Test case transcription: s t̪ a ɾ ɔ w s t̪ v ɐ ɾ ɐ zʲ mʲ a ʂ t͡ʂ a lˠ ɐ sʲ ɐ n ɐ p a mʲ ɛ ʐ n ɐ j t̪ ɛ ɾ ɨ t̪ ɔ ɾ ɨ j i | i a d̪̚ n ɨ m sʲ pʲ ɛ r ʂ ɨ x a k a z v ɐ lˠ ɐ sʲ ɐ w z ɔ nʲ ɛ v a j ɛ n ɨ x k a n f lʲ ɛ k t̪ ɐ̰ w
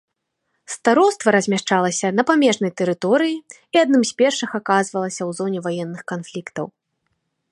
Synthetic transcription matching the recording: s t̪ a ɾ ɔ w s t̪ v ɐ ɾ ɐ zʲ mʲ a ʂ t͡ʂ a lˠ ɐ sʲ ɐ n ɐ p a mʲ ɛ ʐ n ɐ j t̪ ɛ ɾ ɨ t̪ ɔ ɾ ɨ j i | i a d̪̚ n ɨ m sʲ pʲ ɛ r ʂ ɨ x a k a z v ɐ lˠ ɐ sʲ ɐ w z ɔ nʲ ɛ v a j ɛ nː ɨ x k a n f lʲ i k t̪ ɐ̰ w

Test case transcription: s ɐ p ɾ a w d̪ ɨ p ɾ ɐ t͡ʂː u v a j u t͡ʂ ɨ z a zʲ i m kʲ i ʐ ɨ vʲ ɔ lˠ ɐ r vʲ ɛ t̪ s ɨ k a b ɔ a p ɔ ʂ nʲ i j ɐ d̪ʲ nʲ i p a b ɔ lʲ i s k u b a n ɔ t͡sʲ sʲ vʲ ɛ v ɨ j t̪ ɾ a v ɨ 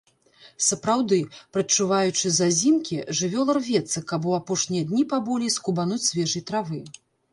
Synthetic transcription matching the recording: s ɐ p ɾ a w d̪ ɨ p ɾ ɐ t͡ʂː u v a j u t͡ʂ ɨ z a zʲ i m kʲ i ʐ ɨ vʲ ɔ lˠ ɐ r vʲ ɛ t̪ s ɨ k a b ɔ a p ɔ ʂ nʲ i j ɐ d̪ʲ nʲ i p a b ɔ lʲ i s k u b a n u t͡sʲ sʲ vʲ ɛ ʐ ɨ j t̪ ɾ a v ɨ

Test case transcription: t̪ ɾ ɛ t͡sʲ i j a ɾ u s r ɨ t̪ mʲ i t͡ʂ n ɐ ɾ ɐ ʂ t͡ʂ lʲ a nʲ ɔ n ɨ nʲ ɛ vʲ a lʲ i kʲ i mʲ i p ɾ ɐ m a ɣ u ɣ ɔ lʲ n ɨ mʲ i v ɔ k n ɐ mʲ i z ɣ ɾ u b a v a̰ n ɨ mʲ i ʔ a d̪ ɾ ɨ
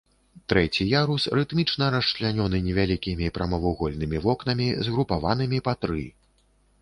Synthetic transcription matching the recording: t̪ ɾ ɛ t͡sʲ i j a ɾ u s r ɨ t̪ mʲ i t͡ʂ n ɐ ɾ ɐ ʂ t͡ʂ lʲ a nʲ ɔ n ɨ nʲ ɛ vʲ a lʲ i kʲ i mʲ i p ɾ ɐ m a v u ɣ ɔ lʲ n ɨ mʲ i v ɔ k n ɐ mʲ i z ɣ ɾ u p a v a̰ n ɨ mʲ i p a t̪ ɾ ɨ

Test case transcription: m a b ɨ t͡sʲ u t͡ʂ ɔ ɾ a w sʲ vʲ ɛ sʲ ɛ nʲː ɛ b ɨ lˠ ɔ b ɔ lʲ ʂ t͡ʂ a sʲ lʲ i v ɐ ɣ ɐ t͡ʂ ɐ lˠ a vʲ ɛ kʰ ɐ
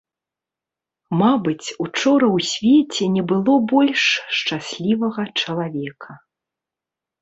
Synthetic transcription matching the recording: m a b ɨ t͡sʲ u t͡ʂ ɔ ɾ ɐ w sʲ vʲ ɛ t͡sʲ ɛ nʲ ɛ b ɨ lˠ ɔ b ɔ lʲ ʂ t͡ʂ a sʲ lʲ i v ɐ ɣ ɐ t͡ʂ ɐ lˠ a vʲ ɛ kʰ ɐ

